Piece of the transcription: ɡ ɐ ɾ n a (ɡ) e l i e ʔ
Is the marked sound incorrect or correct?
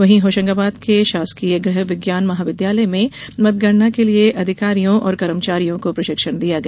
incorrect